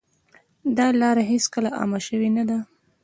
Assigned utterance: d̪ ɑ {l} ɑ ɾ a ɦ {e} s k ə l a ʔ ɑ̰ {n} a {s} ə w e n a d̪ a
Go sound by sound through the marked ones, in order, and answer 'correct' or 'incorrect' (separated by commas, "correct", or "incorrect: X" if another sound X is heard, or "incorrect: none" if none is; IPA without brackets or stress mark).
correct, correct, incorrect: m, incorrect: ʃ